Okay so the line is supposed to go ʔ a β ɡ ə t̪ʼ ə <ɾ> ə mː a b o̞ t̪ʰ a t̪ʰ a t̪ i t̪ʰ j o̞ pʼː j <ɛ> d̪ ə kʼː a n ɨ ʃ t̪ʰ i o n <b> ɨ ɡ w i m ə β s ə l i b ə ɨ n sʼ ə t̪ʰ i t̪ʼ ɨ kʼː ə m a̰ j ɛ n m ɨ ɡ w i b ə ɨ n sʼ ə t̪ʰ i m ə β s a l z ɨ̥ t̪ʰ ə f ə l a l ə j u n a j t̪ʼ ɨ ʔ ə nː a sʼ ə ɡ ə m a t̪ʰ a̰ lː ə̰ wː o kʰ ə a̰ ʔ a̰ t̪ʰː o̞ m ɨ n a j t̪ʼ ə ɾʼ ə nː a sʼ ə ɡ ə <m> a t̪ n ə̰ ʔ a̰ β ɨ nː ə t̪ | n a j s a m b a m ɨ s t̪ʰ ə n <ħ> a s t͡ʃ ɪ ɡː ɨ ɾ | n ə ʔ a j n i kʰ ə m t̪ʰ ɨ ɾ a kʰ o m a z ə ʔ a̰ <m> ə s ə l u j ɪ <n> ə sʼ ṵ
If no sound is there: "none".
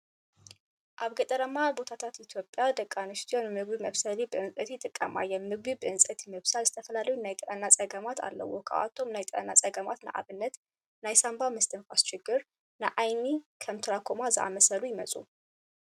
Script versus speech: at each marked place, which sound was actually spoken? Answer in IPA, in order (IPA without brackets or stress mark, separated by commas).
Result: ɾ, a, m, m, f, m, m